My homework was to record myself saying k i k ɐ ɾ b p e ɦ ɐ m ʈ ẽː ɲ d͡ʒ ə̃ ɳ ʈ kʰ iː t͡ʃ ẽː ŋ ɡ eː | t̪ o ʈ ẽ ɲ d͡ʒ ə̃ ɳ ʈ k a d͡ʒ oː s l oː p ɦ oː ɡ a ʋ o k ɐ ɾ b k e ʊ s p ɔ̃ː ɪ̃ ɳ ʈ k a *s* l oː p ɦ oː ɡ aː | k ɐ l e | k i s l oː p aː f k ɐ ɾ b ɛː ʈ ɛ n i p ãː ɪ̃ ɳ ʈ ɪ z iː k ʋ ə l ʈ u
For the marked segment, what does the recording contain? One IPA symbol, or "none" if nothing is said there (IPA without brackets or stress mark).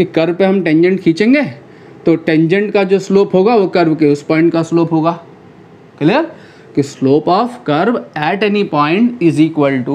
s